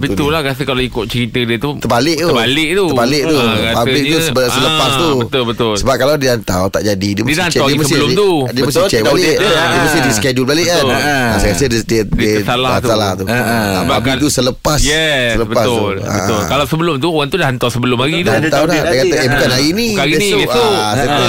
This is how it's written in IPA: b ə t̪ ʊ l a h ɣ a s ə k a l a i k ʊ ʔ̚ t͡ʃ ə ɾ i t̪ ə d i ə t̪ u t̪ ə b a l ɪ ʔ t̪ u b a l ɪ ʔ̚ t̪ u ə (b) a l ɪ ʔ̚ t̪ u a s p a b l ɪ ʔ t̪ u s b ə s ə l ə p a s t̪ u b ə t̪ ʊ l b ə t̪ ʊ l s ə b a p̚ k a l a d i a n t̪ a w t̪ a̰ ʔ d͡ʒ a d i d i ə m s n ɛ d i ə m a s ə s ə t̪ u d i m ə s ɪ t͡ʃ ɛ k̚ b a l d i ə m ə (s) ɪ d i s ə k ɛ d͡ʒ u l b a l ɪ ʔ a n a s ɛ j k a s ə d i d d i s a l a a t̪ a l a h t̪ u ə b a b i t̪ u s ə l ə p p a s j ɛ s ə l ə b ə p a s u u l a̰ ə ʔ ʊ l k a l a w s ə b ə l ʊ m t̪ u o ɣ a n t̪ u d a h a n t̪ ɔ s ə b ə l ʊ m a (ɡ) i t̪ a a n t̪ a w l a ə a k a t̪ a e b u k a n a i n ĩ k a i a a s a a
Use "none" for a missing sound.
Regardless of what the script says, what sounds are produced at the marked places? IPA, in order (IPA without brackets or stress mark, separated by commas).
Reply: b, s, ɡ